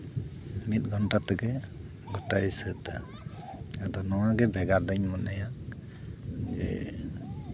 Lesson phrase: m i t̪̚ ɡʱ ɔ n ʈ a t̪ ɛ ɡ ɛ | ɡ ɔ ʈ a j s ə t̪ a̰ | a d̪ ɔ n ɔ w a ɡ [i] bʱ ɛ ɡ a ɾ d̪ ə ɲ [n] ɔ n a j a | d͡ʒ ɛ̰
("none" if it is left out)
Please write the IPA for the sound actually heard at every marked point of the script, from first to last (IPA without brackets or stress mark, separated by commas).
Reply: ɛ, m